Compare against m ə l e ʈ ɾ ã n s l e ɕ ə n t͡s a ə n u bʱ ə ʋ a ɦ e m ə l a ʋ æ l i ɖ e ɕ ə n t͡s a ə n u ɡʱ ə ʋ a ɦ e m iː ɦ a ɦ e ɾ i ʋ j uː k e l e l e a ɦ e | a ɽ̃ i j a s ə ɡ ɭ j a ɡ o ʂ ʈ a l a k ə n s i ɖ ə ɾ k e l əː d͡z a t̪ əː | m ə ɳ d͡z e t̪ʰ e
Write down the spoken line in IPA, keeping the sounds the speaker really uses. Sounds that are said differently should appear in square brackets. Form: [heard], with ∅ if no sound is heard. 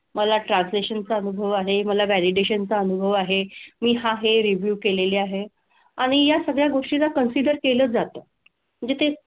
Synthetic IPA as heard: m ə l [a] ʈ ɾ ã n s l e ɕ ə n t͡s a ə n u bʱ ə ʋ a ɦ e m ə l a ʋ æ l i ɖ e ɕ ə n t͡s a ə n u [bʱ] ə ʋ a ɦ e m iː ɦ a ɦ e ɾ i ʋ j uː k e l e l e a ɦ e | a ɽ̃ i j a s ə ɡ ɭ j a ɡ o ʂ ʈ [i] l a k ə n s i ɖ ə ɾ k e l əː d͡z a t̪ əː | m ə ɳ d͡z e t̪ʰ e